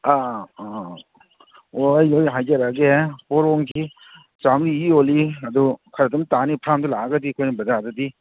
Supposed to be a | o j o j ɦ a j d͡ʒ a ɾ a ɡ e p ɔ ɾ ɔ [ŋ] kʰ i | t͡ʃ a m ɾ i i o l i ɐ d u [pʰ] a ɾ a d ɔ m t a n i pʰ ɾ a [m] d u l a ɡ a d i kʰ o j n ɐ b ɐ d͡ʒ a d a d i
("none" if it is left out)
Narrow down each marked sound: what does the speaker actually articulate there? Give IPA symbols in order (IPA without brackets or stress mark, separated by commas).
ŋ, kʰ, m